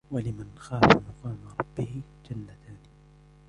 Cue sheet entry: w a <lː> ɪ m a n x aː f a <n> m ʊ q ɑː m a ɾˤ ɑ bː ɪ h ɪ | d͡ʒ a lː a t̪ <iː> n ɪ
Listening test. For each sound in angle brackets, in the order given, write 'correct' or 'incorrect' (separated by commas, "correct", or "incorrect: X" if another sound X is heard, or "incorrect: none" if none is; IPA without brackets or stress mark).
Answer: incorrect: l, incorrect: none, incorrect: aː